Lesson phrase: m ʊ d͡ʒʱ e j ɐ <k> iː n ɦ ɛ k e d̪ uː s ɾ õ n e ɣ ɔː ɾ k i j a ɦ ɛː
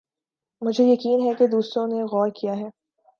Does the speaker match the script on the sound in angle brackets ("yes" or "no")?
yes